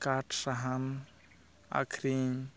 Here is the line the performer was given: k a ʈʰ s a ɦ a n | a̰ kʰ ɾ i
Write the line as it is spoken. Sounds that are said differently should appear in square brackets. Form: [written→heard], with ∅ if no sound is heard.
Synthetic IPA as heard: k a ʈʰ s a ɦ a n | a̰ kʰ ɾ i